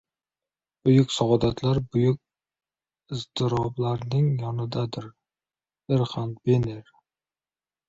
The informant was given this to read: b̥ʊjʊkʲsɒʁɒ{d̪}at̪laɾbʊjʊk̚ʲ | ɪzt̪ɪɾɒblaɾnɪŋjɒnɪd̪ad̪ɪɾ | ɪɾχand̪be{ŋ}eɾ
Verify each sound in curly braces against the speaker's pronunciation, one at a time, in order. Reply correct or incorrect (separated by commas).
correct, incorrect